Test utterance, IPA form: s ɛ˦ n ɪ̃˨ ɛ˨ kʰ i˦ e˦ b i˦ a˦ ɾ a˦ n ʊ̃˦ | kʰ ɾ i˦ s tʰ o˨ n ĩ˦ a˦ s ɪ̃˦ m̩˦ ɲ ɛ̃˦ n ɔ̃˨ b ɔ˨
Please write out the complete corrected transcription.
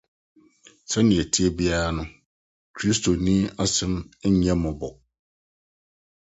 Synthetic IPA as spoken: s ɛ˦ n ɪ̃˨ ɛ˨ tʰ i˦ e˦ b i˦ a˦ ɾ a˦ n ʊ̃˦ | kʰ ɾ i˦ s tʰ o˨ n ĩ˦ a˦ s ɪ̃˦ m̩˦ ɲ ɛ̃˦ m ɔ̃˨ b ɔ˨